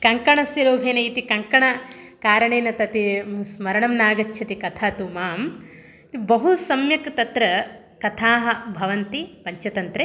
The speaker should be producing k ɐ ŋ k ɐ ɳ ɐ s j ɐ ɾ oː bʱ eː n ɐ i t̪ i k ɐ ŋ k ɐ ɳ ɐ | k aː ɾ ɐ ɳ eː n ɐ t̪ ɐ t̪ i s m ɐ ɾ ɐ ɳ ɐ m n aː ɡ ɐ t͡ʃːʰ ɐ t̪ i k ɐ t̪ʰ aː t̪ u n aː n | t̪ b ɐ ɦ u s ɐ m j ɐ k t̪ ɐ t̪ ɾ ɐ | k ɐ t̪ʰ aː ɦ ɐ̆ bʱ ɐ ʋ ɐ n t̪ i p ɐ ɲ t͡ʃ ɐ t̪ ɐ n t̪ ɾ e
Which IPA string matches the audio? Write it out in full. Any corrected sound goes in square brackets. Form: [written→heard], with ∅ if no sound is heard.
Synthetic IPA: k ɐ ŋ k ɐ ɳ ɐ s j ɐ ɾ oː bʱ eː n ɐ i t̪ i k ɐ ŋ k ɐ ɳ ɐ | k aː ɾ ɐ ɳ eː n ɐ t̪ ɐ t̪ i s m ɐ ɾ ɐ ɳ ɐ m n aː ɡ ɐ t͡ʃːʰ ɐ t̪ i k ɐ t̪ʰ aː t̪ u [n→m] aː [n→m] | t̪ b ɐ ɦ u s ɐ m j ɐ k t̪ ɐ t̪ ɾ ɐ | k ɐ t̪ʰ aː ɦ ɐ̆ bʱ ɐ ʋ ɐ n t̪ i p ɐ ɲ t͡ʃ ɐ t̪ ɐ n t̪ ɾ e